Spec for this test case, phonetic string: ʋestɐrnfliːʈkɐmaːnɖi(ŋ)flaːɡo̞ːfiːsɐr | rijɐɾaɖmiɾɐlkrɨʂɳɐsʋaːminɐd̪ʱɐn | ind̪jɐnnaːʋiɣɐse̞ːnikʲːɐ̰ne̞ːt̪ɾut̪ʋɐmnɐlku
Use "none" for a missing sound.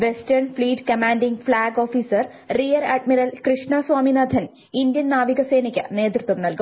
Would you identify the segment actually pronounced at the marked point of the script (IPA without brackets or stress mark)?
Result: ŋ